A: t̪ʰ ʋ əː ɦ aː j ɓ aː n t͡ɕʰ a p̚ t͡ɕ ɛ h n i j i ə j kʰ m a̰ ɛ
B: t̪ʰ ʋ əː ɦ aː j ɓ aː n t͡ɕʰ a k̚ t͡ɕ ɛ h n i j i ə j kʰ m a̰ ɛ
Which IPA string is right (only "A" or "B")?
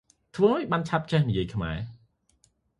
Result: A